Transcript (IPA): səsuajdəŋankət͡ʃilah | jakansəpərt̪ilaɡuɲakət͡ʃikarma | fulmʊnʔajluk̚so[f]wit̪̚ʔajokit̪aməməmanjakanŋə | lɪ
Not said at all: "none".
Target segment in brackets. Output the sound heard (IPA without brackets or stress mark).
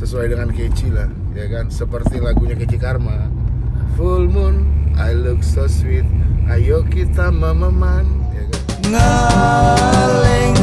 s